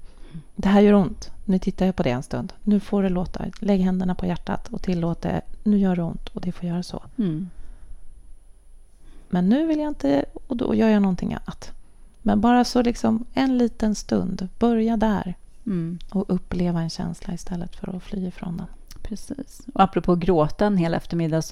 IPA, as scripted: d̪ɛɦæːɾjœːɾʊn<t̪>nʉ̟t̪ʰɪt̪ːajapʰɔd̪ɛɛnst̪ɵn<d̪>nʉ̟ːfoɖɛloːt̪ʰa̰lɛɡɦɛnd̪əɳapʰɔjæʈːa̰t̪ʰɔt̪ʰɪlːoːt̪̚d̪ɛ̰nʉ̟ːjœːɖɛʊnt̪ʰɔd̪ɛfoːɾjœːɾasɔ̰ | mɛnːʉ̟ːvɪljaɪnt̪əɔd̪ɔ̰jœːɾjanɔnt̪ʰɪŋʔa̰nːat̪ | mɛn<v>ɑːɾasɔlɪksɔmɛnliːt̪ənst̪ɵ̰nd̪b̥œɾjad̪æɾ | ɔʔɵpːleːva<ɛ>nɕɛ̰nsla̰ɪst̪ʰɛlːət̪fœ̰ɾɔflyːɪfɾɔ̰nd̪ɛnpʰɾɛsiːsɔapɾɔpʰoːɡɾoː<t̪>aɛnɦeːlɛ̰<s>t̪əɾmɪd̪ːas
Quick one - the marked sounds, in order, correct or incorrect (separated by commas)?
correct, correct, incorrect, correct, correct, incorrect